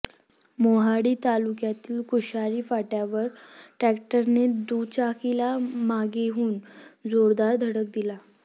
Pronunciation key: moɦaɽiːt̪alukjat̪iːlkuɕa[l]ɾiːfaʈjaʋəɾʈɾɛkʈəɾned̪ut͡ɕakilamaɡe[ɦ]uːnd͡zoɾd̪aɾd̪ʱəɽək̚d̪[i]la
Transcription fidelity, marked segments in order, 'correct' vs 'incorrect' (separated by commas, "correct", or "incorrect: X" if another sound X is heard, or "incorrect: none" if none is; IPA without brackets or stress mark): incorrect: none, correct, correct